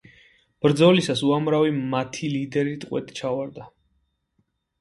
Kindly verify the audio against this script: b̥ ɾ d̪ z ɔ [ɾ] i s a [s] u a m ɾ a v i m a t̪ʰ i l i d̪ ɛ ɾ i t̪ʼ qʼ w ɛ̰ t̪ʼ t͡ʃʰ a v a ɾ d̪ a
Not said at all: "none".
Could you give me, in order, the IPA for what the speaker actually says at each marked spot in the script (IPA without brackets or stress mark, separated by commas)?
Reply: l, s